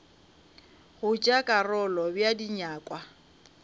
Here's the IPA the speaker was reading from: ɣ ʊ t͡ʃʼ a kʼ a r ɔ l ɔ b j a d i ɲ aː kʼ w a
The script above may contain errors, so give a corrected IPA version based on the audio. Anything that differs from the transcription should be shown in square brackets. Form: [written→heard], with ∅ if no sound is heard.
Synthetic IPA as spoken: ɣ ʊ t͡ʃʼ a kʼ a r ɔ l ɔ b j a d i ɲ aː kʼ w a